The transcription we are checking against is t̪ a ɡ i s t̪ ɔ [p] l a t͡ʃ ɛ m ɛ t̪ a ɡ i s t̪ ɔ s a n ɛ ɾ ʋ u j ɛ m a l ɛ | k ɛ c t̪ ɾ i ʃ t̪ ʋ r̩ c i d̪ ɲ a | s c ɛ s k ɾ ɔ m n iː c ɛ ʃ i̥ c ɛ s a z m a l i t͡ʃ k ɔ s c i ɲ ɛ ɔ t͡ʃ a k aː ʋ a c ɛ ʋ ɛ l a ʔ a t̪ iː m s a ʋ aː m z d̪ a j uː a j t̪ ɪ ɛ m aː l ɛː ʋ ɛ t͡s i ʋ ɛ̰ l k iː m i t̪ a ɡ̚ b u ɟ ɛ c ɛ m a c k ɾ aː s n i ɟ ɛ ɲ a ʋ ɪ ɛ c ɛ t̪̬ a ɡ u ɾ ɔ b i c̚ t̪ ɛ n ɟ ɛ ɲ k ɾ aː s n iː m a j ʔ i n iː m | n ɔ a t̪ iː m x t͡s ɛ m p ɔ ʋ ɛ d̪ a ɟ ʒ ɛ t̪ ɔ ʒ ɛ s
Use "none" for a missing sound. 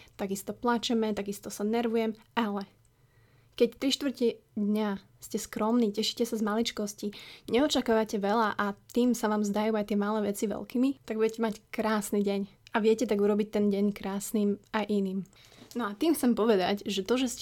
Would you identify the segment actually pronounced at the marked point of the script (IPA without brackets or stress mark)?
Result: p